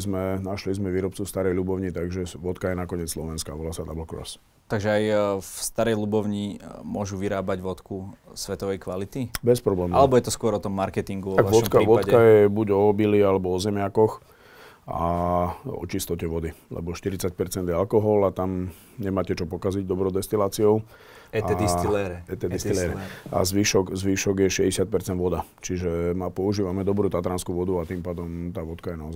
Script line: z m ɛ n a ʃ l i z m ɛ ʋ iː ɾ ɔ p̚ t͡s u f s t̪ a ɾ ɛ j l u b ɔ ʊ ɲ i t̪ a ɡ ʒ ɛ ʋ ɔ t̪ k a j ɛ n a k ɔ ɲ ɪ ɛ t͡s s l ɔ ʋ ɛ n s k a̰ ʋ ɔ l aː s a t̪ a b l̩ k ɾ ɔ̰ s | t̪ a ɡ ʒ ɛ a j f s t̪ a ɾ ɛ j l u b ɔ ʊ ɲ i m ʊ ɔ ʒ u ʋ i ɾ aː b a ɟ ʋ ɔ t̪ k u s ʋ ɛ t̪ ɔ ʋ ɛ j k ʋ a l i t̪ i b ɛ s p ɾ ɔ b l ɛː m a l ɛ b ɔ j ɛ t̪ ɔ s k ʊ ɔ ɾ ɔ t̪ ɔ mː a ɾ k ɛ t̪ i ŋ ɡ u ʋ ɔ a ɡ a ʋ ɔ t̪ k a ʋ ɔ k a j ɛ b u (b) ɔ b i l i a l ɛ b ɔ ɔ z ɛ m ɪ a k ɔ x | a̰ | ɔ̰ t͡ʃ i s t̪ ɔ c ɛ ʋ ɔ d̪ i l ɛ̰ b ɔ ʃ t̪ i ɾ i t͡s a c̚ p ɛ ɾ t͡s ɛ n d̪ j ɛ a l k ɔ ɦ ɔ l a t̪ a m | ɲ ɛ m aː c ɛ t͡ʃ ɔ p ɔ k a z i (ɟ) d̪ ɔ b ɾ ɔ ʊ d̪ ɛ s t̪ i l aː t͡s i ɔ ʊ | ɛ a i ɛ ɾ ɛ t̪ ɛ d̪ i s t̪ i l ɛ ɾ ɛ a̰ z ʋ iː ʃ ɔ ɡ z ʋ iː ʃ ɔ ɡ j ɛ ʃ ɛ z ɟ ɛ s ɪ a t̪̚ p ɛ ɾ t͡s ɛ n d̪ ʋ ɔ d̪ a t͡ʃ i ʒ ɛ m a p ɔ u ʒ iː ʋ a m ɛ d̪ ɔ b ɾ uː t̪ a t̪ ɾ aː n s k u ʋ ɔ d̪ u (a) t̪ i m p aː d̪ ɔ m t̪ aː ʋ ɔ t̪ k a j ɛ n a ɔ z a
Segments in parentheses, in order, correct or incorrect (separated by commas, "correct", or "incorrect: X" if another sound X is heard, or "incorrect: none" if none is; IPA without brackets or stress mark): incorrect: ɟ, correct, correct